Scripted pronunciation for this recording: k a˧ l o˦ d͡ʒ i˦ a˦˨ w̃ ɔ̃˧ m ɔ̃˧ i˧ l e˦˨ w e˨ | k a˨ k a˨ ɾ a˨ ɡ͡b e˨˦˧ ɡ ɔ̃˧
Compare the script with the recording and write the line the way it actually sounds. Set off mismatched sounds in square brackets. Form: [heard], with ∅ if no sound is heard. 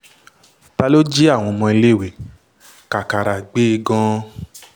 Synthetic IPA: [t] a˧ l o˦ d͡ʒ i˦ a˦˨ w̃ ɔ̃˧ m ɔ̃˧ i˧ l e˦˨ w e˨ | k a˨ k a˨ ɾ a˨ ɡ͡b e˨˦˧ ɡ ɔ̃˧